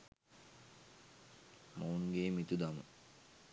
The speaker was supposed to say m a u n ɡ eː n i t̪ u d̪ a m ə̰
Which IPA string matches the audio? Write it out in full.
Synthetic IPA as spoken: m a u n ɡ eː m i t̪ u d̪ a m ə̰